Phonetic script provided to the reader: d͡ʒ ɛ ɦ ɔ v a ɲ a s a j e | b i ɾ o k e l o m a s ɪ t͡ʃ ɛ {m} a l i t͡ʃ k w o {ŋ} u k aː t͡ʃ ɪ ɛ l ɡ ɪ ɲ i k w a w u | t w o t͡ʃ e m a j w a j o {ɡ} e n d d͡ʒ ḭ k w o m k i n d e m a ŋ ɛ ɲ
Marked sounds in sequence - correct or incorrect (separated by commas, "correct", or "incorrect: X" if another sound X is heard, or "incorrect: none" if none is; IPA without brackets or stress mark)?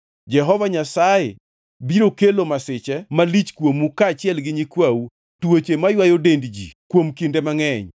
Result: correct, incorrect: m, incorrect: d